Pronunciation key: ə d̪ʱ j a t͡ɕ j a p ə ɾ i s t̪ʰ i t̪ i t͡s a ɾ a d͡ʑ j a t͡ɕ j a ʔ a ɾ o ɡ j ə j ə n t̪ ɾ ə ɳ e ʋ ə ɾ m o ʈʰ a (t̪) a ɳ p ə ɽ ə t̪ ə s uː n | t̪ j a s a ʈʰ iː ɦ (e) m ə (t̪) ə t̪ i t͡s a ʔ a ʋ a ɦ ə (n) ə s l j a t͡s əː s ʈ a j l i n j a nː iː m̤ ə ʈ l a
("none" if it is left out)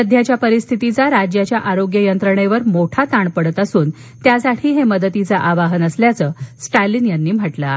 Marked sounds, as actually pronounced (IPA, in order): t̪, e, d̪, n

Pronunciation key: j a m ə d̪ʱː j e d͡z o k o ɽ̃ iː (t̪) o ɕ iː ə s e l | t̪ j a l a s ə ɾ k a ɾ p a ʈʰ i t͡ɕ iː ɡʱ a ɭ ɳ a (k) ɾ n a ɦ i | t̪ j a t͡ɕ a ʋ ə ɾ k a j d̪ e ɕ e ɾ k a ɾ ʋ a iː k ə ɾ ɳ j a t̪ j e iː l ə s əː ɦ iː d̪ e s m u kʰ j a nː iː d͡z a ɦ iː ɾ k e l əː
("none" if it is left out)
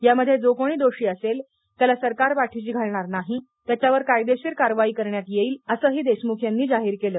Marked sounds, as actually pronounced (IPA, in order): d̪, none

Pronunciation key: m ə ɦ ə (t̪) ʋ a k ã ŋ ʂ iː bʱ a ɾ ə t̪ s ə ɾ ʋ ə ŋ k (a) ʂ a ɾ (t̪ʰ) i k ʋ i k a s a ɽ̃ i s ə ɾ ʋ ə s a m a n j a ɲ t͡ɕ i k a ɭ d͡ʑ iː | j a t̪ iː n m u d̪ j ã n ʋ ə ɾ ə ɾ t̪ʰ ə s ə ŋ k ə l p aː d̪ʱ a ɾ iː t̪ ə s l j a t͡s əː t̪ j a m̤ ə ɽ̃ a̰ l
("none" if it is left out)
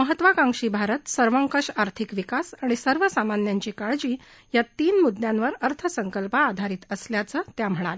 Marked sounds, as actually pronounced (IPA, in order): t̪, ə, t̪ʰ

